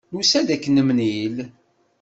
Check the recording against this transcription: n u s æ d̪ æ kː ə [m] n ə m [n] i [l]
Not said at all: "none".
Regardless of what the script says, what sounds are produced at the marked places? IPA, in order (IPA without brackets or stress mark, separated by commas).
none, n, l